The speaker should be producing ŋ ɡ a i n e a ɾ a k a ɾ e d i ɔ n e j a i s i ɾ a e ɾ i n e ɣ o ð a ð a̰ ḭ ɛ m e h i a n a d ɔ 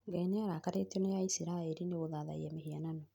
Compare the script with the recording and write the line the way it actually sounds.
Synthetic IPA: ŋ ɡ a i n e a ɾ a k a ɾ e t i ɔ n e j a i s i ɾ a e ɾ i n e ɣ o ð a ð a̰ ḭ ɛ m e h i a n a n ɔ